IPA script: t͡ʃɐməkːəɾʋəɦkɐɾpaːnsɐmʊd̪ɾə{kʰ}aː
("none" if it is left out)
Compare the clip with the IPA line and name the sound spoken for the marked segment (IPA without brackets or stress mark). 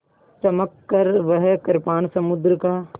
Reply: k